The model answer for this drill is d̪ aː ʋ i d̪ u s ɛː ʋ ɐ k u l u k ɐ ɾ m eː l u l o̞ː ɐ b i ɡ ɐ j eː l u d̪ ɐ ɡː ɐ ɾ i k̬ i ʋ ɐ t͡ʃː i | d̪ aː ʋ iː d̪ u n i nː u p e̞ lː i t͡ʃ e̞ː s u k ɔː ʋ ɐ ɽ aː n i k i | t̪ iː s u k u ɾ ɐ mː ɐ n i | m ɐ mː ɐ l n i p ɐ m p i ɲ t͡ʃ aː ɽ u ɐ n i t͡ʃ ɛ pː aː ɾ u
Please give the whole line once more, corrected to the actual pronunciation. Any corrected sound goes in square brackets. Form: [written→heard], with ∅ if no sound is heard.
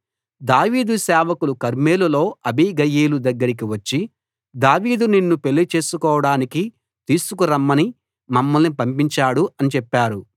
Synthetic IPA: d̪ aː ʋ [i→iː] d̪ u s ɛː ʋ ɐ k u l u k ɐ ɾ m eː l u l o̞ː ɐ b i ɡ ɐ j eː l u d̪ ɐ ɡː ɐ ɾ i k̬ i ʋ ɐ t͡ʃː i | d̪ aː ʋ iː d̪ u n i nː u p e̞ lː i t͡ʃ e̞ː s u k ɔː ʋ ɐ ɽ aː n i k i | t̪ iː s u k u ɾ ɐ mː ɐ n i | m ɐ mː ɐ l n i p ɐ m p i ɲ t͡ʃ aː ɽ u ɐ n i t͡ʃ ɛ pː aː ɾ u

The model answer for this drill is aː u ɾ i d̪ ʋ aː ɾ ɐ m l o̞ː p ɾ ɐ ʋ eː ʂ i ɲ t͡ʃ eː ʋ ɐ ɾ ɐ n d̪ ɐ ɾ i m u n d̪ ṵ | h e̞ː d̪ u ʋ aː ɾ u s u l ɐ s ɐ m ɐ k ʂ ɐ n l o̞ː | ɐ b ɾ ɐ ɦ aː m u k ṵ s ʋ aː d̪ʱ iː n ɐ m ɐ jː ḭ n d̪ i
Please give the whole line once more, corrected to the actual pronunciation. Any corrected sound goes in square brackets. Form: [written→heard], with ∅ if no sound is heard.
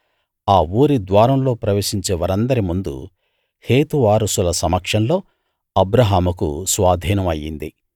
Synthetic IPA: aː [u→uː] ɾ i d̪ ʋ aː ɾ ɐ m l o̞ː p ɾ ɐ ʋ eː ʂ i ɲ t͡ʃ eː ʋ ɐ ɾ ɐ n d̪ ɐ ɾ i m u n d̪ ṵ | h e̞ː [d̪→t̪] u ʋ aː ɾ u s u l ɐ s ɐ m ɐ k ʂ ɐ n l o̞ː | ɐ b ɾ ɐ ɦ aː m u k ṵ s ʋ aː d̪ʱ iː n ɐ m ɐ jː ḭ n d̪ i

